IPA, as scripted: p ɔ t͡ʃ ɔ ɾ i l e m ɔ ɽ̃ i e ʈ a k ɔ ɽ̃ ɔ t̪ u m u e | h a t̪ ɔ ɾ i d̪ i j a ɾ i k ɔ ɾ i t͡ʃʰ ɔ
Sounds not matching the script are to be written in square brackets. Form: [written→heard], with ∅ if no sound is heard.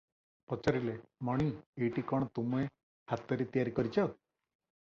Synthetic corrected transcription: p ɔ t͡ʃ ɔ ɾ i l e m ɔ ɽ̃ i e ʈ [a→i] k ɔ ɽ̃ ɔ t̪ u m u e | h a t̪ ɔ ɾ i [d̪→t̪] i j a ɾ i k ɔ ɾ i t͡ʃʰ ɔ